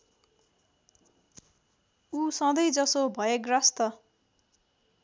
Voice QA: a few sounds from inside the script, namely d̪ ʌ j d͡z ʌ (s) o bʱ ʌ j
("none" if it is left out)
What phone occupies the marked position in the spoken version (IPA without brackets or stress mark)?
s